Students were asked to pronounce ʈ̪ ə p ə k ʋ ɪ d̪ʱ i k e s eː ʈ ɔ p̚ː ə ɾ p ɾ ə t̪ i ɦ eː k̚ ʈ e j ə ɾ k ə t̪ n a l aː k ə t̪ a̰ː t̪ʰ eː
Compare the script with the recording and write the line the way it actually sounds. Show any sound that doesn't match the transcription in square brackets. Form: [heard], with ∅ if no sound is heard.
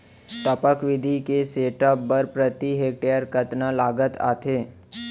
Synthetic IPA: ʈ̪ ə p ə k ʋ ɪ d̪ʱ i k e s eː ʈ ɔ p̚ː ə ɾ p ɾ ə t̪ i ɦ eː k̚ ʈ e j ə ɾ k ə t̪ n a l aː [ɡ] ə t̪ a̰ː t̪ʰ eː